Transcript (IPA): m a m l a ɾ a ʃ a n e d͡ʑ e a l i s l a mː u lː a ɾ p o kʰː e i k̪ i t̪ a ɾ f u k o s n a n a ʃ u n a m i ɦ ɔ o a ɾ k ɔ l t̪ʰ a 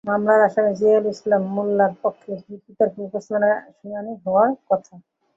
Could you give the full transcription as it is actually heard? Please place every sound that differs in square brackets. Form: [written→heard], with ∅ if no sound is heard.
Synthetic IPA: m a m l a ɾ a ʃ a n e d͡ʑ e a l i s l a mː u lː a ɾ p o kʰː e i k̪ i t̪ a ɾ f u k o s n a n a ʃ u n a [m→n] i ɦ ɔ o a ɾ k ɔ [l→∅] t̪ʰ a